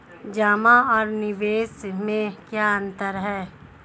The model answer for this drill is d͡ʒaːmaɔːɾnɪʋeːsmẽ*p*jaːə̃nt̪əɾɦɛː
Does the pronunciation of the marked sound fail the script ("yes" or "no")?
yes